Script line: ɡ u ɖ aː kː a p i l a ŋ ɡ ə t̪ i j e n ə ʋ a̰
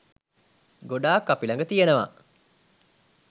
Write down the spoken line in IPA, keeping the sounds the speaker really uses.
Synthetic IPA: ɡ o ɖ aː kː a p i l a ŋ ɡ ə t̪ i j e n ə ʋ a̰